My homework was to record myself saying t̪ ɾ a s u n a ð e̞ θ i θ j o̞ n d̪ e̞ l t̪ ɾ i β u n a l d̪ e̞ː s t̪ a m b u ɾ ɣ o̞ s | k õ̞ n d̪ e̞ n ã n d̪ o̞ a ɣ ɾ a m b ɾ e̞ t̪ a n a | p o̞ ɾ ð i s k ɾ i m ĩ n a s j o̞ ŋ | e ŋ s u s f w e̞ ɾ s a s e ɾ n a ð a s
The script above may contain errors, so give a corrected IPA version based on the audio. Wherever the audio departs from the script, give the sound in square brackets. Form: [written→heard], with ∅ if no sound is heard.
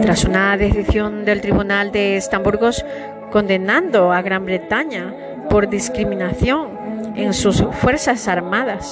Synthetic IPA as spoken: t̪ ɾ a s u n a ð e̞ θ i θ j o̞ n d̪ e̞ l t̪ ɾ i β u n a l d̪ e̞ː s t̪ a m b u ɾ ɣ o̞ s | k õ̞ n d̪ e̞ n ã n d̪ o̞ a ɣ ɾ a m b ɾ e̞ t̪ a [n→ɲ] a | p o̞ ɾ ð i s k ɾ i m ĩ n a [s→θ] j o̞ ŋ | e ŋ s u s f w e̞ ɾ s a s [e→a] ɾ [n→m] a ð a s